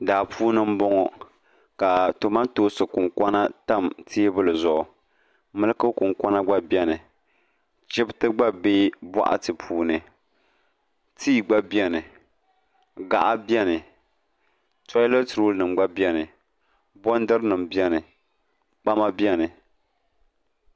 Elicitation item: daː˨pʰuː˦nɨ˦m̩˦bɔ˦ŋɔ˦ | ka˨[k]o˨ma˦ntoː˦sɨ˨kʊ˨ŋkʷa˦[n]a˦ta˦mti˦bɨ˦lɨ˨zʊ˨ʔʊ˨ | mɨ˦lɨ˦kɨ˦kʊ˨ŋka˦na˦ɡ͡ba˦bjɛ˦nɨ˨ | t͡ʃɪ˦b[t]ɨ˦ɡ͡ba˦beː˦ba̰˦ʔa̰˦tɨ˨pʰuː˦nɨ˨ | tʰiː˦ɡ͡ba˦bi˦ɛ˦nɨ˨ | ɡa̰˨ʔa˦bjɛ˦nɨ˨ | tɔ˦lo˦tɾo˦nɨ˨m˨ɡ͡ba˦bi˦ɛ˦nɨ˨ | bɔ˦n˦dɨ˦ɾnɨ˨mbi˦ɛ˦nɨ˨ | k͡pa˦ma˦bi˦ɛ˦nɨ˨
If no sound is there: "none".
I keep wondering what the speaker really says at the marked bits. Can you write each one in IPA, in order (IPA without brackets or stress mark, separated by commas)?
t, n, t